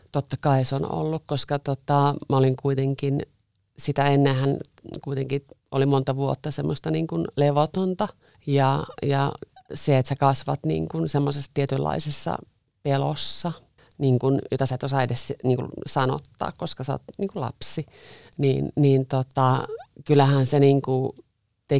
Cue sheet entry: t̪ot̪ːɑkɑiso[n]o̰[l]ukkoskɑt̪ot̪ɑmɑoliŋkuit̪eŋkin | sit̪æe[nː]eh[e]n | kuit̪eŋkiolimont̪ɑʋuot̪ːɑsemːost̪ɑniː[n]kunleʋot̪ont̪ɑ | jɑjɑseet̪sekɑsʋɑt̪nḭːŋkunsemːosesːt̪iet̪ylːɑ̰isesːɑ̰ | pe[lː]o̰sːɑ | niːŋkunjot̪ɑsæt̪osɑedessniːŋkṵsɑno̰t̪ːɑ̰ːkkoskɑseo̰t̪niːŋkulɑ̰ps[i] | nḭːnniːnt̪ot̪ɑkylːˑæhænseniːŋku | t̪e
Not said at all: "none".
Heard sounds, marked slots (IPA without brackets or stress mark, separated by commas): n, lː, nː, æ, ŋ, l, i